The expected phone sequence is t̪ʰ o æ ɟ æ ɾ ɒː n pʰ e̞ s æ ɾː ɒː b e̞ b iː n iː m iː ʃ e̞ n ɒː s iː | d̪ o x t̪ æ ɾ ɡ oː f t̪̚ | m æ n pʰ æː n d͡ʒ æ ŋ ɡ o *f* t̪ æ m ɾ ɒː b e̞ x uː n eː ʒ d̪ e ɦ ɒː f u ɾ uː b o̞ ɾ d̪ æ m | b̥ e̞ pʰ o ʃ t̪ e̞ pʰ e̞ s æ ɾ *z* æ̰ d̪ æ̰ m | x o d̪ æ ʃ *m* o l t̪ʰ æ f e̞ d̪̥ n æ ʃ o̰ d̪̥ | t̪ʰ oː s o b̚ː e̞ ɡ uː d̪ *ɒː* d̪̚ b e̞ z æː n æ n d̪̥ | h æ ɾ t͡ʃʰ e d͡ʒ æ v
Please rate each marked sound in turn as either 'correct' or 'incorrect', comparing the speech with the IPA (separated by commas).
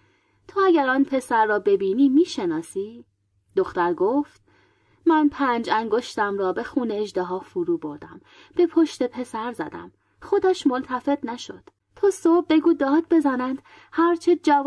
incorrect, correct, correct, correct